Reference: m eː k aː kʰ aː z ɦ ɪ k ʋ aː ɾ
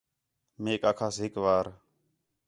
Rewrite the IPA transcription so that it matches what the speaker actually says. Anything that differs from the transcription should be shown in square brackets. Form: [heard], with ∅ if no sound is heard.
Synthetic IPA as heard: m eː k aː kʰ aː [s] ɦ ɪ k ʋ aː ɾ